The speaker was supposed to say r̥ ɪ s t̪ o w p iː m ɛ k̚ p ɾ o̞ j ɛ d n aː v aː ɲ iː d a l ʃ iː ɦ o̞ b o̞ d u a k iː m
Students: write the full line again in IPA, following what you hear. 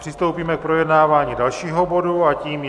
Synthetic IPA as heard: r̥ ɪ s t̪ o w p iː m ɛ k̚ p ɾ o̞ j ɛ d n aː v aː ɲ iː d a l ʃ iː ɦ o̞ b o̞ d u a c iː m